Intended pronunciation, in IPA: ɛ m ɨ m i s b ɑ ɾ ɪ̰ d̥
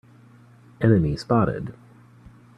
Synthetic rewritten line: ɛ n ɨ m i s p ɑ ɾ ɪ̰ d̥